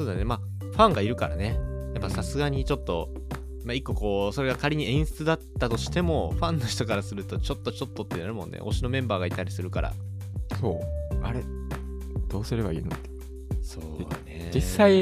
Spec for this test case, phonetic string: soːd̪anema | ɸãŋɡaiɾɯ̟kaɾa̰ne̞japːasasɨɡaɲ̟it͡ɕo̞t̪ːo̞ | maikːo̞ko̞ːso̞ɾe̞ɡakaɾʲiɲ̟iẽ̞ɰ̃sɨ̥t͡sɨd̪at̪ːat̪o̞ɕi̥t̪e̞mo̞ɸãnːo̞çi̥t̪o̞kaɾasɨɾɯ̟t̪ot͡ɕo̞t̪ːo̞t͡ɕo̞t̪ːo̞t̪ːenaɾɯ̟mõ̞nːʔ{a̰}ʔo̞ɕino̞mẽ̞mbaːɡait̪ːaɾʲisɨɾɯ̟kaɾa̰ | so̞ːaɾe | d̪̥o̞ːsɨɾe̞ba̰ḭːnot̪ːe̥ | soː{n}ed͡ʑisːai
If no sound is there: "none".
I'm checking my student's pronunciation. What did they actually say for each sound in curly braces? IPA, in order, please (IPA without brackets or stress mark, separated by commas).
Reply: ḛ, n